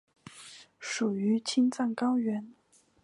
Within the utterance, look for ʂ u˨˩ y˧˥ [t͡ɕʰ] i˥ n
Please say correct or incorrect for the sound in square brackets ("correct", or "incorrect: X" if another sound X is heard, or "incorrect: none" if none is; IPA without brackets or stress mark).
correct